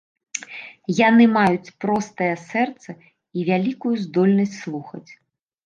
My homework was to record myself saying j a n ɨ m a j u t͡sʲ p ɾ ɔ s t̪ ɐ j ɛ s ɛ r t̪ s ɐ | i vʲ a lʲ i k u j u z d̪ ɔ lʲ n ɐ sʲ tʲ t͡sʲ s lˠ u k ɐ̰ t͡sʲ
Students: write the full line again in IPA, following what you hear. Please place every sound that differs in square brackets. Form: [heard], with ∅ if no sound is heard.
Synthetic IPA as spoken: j a n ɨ m a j u t͡sʲ p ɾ ɔ s t̪ ɐ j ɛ s ɛ r t̪ s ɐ | i vʲ a lʲ i k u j u z d̪ ɔ lʲ n ɐ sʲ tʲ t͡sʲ s lˠ u [x] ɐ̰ t͡sʲ